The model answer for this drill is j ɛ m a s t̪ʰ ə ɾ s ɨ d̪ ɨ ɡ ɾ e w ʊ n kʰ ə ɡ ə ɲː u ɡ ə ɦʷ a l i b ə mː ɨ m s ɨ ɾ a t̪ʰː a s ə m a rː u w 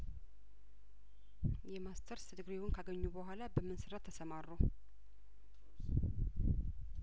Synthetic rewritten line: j ɛ m a s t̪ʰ ə ɾ s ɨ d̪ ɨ ɡ ɾ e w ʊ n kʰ a ɡ ə ɲː u b ə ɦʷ a l a b ə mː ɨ n s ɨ ɾ a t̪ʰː ə s ə m a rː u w

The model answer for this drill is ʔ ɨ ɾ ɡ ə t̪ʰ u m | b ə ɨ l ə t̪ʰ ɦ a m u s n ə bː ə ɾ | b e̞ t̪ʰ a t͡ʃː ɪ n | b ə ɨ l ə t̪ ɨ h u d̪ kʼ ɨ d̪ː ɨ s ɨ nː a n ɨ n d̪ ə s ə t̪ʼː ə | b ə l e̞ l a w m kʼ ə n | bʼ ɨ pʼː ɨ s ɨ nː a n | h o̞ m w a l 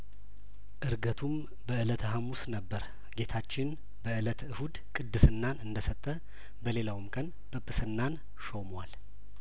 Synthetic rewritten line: ʔ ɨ ɾ ɡ ə t̪ʰ u m | b ə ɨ l ə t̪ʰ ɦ a m u s n ə bː ə ɾ | ɡ e̞ t̪ʰ a t͡ʃː ɪ n | b ə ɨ l ə t̪ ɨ h u d̪ kʼ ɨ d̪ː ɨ s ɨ nː a n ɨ n d̪ ə s ə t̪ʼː ə | b ə l e̞ l a w m kʼ ə n | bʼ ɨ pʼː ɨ s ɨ nː a n | ʃ o̞ m w a l

